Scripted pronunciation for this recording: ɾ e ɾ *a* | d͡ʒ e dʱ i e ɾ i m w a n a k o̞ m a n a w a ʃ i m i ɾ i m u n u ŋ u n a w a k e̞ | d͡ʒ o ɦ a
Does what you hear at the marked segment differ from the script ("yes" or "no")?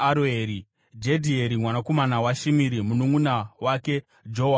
yes